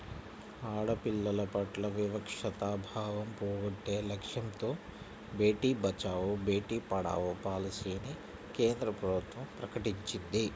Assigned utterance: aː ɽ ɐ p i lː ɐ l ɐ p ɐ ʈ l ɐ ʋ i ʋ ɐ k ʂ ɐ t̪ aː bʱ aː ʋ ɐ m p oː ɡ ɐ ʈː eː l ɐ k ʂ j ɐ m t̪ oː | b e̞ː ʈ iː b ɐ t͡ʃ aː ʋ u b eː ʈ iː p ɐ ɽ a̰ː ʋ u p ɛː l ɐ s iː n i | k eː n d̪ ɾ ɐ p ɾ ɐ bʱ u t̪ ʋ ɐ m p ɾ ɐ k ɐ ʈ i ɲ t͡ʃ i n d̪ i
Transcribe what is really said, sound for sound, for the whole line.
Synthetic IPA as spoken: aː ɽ ɐ p i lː ɐ l ɐ p ɐ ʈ l ɐ ʋ i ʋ ɐ k ʂ ɐ t̪ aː bʱ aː ʋ ɐ m p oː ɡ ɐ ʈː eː l ɐ k ʂ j ɐ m t̪ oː | b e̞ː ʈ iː b ɐ t͡ʃ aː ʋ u b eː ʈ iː p ɐ ɽ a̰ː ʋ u p aː l ɐ s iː n i | k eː n d̪ ɾ ɐ p ɾ ɐ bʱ u t̪ ʋ ɐ m p ɾ ɐ k ɐ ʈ i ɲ t͡ʃ i n d̪ i